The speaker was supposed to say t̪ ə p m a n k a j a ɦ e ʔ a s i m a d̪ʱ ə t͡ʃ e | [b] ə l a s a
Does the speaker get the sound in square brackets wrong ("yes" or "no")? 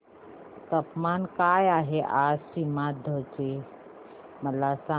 yes